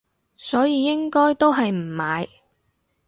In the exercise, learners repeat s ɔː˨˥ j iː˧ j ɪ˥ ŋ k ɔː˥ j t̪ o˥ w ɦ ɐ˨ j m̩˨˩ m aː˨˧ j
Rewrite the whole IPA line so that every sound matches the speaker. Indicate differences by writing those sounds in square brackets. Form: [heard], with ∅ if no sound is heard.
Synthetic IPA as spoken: s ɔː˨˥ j iː˧ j ɪ˥ ŋ k ɔː˥ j t̪ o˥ w ɦ ɐ˨ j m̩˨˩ m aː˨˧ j